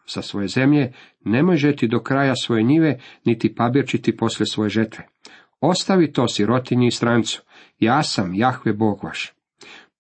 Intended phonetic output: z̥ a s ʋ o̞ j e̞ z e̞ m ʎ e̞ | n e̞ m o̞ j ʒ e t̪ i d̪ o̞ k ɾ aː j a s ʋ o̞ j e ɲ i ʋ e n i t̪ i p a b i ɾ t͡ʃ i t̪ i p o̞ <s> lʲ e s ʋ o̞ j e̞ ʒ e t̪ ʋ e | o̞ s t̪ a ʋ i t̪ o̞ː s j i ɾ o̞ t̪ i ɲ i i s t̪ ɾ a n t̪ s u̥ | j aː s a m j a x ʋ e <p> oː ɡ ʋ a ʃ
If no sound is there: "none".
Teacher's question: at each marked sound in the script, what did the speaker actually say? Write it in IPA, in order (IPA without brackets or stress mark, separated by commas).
s, b